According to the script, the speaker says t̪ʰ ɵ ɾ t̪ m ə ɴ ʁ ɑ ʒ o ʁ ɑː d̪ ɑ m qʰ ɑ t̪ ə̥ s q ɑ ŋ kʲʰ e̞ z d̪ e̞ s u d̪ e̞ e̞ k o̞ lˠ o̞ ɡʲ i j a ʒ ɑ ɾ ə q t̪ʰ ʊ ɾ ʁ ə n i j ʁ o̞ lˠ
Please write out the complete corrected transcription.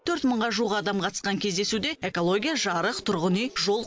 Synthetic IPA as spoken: t̪ʰ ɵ ɾ t̪ m ə ɴ ʁ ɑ ʒ u ʁ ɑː d̪ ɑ m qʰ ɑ t̪ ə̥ s q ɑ ŋ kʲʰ e̞ z d̪ e̞ s u d̪ e̞ e̞ k o̞ lˠ o̞ ɡʲ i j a ʒ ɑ ɾ ə q t̪ʰ ʊ ɾ ʁ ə n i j ʒ o̞ lˠ